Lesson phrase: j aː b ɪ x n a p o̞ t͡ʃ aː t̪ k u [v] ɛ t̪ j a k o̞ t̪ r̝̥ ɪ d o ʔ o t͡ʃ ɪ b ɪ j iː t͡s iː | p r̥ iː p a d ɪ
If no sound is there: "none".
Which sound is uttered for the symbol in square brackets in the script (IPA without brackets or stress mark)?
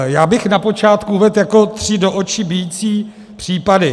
v